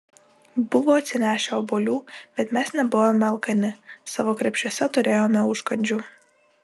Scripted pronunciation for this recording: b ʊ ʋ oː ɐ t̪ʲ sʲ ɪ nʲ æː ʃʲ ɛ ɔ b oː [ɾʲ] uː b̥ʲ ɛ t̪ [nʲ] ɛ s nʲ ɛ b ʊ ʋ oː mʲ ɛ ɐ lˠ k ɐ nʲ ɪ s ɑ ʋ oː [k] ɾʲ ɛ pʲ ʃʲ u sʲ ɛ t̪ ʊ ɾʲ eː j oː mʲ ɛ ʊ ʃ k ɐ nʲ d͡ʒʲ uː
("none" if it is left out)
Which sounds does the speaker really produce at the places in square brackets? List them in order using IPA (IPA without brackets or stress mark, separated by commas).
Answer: lʲ, mʲ, k